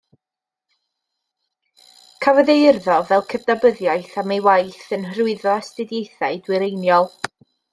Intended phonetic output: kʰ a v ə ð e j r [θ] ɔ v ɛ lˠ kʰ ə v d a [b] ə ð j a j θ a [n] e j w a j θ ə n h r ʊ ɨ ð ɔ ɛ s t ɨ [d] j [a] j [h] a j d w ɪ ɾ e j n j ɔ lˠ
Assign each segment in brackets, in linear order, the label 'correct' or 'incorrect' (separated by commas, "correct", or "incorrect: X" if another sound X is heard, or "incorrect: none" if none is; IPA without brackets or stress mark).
incorrect: ð, correct, incorrect: m, correct, incorrect: e, incorrect: θ